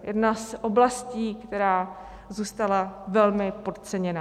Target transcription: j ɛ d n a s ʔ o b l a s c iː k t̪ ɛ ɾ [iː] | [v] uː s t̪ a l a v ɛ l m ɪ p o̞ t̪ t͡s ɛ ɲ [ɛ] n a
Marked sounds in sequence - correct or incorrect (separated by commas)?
incorrect, incorrect, correct